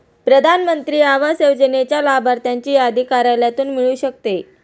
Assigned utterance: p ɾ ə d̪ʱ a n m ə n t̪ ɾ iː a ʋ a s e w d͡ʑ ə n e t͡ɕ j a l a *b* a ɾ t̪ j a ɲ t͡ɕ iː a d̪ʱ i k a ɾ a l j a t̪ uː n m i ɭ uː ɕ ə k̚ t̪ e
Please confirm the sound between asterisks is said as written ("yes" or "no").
yes